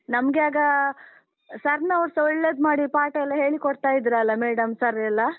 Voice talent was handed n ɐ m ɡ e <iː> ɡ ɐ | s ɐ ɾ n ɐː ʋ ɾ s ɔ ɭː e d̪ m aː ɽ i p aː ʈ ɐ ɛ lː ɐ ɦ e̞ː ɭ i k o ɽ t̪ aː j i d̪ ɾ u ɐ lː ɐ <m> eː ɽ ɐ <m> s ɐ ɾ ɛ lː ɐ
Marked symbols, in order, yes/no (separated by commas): no, yes, yes